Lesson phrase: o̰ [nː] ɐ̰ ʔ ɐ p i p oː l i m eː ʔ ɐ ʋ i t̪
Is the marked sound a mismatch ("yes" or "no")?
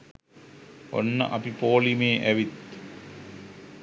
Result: no